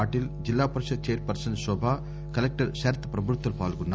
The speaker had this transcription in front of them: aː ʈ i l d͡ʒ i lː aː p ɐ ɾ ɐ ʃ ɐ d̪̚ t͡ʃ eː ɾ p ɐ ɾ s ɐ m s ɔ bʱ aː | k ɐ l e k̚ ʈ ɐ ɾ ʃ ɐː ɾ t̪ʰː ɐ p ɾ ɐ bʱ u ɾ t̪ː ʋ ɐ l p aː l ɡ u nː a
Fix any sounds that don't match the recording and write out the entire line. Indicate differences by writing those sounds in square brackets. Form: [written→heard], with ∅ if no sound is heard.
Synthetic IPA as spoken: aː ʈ i l d͡ʒ i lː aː p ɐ ɾ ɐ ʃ ɐ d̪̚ t͡ʃ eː ɾ p ɐ ɾ s ɐ [m→n] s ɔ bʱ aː | k ɐ l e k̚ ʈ ɐ ɾ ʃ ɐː ɾ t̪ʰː ɐ p ɾ ɐ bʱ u ɾ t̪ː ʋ ɐ l p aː l ɡ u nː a

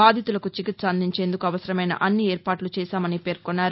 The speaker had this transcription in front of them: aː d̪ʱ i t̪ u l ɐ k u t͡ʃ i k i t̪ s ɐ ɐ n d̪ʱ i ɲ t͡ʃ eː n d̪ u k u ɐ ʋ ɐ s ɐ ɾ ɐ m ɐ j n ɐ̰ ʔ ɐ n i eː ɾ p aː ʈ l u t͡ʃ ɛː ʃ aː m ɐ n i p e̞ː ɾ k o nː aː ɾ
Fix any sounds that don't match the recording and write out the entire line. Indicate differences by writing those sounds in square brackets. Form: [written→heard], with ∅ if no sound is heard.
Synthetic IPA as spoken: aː d̪ʱ i t̪ u l ɐ k u t͡ʃ i k i t̪ s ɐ ɐ n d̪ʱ i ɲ t͡ʃ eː n d̪ u k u ɐ ʋ ɐ s ɐ ɾ ɐ m ɐ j n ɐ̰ ʔ ɐ [n→nː] i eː ɾ p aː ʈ l u t͡ʃ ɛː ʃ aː m ɐ n i p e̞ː ɾ k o nː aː ɾ

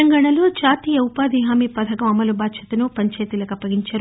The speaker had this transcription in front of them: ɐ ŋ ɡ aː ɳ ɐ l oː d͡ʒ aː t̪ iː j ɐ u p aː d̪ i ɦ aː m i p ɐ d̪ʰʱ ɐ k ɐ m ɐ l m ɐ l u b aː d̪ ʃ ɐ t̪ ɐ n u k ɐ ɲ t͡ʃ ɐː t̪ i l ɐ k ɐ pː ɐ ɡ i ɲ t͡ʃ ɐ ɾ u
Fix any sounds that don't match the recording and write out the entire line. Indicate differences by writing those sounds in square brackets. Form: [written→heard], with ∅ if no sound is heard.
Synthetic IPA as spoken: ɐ ŋ ɡ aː ɳ ɐ l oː d͡ʒ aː t̪ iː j ɐ u p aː d̪ i ɦ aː m i p ɐ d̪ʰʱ ɐ k ɐ m ɐ [l→∅] m ɐ l u b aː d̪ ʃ ɐ t̪ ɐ n u [k→p] ɐ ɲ t͡ʃ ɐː t̪ i l ɐ k ɐ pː ɐ ɡ i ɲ t͡ʃ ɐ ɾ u

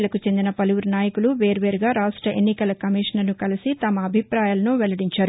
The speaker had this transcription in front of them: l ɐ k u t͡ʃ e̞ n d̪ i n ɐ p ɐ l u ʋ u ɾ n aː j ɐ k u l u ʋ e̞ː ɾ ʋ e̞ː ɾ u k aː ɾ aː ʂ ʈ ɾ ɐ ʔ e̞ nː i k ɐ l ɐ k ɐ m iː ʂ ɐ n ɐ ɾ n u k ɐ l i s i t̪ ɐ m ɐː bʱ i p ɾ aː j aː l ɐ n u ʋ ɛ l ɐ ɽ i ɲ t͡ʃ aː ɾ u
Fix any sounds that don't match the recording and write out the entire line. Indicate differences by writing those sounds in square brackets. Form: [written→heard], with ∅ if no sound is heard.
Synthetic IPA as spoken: l ɐ k u t͡ʃ e̞ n d̪ i n ɐ p ɐ l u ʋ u ɾ n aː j ɐ k u l u ʋ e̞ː ɾ ʋ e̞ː ɾ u [k→ɡ] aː ɾ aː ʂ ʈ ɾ ɐ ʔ e̞ nː i k ɐ l ɐ k ɐ m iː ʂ ɐ n ɐ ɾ n u k ɐ l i s i t̪ ɐ m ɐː bʱ i p ɾ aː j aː l ɐ n u ʋ ɛ l ɐ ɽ i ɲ t͡ʃ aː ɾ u

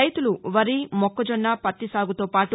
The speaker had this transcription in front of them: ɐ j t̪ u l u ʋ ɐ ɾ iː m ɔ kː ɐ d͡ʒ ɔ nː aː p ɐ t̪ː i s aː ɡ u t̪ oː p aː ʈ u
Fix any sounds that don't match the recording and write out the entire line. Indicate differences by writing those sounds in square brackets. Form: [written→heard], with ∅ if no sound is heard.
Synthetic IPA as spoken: ɐ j t̪ u l u ʋ ɐ ɾ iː m ɔ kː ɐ d͡ʒ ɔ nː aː p ɐ t̪ː i s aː ɡ u t̪ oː p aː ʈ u

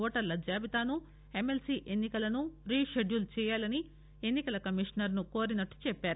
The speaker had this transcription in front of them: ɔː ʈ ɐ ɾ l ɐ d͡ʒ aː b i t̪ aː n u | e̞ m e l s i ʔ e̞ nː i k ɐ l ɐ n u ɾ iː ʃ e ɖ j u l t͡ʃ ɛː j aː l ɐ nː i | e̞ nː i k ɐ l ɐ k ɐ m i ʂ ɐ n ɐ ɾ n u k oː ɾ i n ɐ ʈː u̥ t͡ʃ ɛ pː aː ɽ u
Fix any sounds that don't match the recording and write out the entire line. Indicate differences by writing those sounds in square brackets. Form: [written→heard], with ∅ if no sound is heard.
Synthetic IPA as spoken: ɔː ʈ ɐ ɾ l ɐ d͡ʒ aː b i t̪ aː n u | e̞ m e l s i ʔ e̞ nː i k ɐ l ɐ n u ɾ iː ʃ e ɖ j u l t͡ʃ ɛː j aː l ɐ [nː→n] i | e̞ nː i k ɐ l ɐ k ɐ m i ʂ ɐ n ɐ ɾ n u k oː ɾ i n ɐ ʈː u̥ t͡ʃ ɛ pː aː [ɽ→ɾ] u

